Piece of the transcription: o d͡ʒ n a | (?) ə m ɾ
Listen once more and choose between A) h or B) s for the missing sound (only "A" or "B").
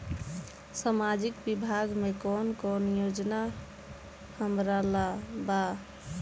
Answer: A